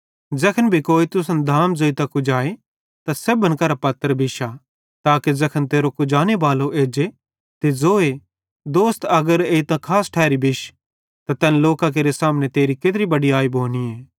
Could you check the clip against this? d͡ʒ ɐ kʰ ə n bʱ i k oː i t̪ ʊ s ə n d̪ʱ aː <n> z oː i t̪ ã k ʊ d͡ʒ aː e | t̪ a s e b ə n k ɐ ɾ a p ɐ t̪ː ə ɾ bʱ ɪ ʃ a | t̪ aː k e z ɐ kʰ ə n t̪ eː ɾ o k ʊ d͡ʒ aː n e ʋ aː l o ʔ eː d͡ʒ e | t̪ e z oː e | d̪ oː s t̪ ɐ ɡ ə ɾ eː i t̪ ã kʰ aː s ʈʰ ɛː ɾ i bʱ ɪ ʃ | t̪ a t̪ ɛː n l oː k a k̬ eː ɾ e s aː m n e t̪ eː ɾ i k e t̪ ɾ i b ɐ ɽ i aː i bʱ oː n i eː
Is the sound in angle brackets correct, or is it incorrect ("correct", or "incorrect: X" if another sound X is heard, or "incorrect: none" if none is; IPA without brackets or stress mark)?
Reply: incorrect: m